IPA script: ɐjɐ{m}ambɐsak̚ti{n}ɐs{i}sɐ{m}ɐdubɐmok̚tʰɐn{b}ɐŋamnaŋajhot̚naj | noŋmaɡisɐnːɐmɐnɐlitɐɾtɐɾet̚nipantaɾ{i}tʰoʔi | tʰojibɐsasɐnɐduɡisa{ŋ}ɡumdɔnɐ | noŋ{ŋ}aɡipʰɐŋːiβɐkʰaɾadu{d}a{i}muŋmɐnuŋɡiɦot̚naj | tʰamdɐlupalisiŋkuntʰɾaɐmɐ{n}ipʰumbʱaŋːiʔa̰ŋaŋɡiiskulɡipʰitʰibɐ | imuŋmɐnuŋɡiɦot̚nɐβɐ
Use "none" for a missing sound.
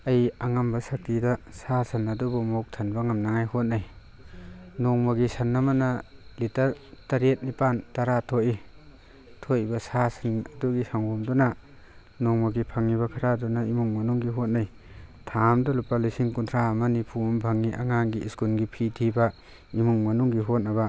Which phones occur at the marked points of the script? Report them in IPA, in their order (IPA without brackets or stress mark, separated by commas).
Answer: ŋ, d, a, n, b, a, ŋ, m, n, i, n